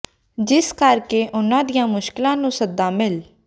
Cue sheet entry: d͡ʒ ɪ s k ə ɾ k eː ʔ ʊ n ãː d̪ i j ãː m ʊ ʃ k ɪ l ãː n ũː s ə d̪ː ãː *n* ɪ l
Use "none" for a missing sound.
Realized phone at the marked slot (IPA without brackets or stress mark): m